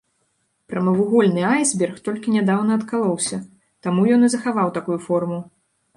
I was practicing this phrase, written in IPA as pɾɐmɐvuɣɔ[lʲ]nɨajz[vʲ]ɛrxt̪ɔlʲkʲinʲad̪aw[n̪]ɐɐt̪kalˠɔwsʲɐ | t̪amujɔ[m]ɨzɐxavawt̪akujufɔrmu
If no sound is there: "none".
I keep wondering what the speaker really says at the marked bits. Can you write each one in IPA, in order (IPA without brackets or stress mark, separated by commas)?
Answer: lʲ, bʲ, n̪, n